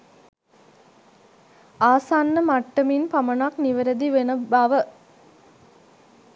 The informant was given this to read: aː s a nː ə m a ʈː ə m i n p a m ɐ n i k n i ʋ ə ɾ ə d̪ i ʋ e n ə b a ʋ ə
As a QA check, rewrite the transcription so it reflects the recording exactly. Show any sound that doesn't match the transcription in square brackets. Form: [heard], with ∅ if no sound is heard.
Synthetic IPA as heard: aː s a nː ə m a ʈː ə m i n p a m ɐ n [a] k n i ʋ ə ɾ ə d̪ i ʋ e n ə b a ʋ ə